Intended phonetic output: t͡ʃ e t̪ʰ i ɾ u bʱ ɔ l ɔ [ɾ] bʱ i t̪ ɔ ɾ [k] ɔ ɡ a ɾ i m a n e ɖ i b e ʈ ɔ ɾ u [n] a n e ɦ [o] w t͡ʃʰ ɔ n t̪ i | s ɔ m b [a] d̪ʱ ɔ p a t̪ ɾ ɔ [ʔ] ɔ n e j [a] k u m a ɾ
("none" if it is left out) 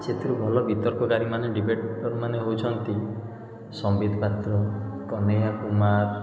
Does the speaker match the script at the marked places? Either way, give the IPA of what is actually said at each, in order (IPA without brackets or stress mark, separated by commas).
none, k, m, o, i, k, a